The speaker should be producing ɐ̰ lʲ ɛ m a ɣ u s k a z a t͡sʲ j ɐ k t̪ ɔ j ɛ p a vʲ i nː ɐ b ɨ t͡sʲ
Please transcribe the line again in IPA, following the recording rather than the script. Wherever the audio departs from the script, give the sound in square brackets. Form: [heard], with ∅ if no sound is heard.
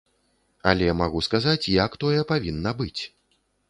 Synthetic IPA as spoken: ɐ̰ lʲ ɛ m a ɣ u s k a z a t͡sʲ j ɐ k t̪ ɔ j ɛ p a vʲ i nː ɐ b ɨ t͡sʲ